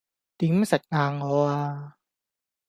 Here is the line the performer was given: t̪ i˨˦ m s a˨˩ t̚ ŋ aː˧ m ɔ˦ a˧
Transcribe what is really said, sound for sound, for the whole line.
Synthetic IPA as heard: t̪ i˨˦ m s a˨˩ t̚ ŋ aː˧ ŋ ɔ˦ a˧